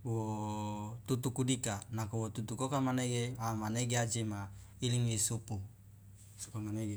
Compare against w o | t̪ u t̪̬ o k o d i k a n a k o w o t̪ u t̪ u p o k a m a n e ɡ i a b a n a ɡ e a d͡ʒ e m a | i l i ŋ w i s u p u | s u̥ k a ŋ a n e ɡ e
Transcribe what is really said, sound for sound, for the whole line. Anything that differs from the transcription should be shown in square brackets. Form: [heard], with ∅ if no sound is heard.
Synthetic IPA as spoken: w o | t̪ u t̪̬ [u] k [u] d i k a n a k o w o t̪ u t̪ u [k] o k a m a n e ɡ [e] a [m] a n [e] ɡ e a d͡ʒ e m a | i l i ŋ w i s u p u | s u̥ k a [m] a n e ɡ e